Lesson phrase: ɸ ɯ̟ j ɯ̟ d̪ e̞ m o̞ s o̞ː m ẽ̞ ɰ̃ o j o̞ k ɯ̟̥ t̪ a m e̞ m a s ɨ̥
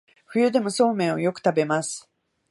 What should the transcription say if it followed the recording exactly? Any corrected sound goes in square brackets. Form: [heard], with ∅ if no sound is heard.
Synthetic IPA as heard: ɸ ɯ̟ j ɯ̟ d̪ e̞ m o̞ s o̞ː m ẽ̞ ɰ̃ o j o̞ k ɯ̟̥ t̪ a [b] e̞ m a s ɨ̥